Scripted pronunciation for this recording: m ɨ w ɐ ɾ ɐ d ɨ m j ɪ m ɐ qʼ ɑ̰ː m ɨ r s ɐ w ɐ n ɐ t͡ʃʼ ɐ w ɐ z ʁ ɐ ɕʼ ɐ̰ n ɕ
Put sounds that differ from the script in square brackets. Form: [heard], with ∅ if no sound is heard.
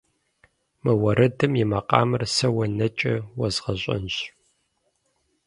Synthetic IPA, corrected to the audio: m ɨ w ɐ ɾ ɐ d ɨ m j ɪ m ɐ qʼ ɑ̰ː m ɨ r s ɐ w ɐ n ɐ t͡ʃʼ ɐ w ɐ z ʁ ɐ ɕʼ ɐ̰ n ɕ